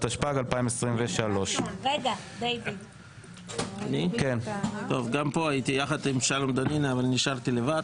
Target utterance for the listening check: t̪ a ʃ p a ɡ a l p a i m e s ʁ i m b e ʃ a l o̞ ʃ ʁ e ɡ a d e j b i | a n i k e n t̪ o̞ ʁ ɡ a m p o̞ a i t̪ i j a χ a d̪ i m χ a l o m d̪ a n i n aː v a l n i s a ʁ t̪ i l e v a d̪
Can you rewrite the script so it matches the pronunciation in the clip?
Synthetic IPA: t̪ a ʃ p a ɡ a l p a i m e s ʁ i m v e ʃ a l o̞ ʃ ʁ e ɡ a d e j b i | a n i k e n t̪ o̞ v ɡ a m p o̞ a i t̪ i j a χ a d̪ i m ʃ a l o m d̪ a n i n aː v a l n i ʃ a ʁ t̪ i l e v a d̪

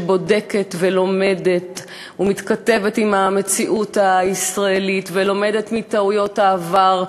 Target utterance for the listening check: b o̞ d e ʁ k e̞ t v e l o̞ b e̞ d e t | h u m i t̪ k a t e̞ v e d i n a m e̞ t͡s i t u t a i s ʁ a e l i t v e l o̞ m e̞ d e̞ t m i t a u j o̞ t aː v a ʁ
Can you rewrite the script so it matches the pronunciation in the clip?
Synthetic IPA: b o̞ d e k e̞ t v e l o̞ m e̞ d e t | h u m i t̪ k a t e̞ v e t i m a m e̞ t͡s i ʔ u t a i s ʁ a e l i t v e l o̞ m e̞ d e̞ t m i t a u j o̞ t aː v a ʁ

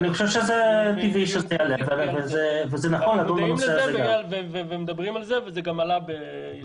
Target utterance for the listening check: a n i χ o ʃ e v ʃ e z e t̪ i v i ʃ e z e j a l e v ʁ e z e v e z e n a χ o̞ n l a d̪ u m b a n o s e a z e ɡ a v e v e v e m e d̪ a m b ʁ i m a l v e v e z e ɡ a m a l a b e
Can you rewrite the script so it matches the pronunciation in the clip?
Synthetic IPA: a n i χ o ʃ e v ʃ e z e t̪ i v i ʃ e z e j a l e v v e z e v e z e n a χ o̞ n l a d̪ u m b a n o s e a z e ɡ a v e v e v e m e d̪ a b ʁ i m a l z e v e z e ɡ a m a l a b e

